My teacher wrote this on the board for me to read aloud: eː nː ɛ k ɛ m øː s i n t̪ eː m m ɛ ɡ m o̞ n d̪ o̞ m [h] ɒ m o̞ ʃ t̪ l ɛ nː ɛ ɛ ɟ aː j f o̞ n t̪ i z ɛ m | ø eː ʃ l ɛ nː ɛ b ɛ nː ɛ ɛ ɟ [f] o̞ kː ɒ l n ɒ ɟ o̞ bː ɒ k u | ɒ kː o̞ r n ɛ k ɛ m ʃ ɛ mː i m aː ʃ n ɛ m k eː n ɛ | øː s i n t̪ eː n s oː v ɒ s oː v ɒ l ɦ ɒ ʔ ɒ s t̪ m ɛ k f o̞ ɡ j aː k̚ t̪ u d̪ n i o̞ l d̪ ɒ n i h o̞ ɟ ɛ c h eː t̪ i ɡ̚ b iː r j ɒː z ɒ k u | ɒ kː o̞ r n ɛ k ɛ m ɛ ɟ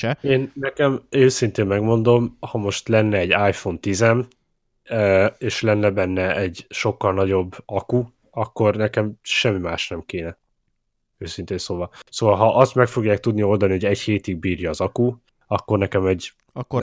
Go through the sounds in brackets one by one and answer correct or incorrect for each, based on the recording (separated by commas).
correct, incorrect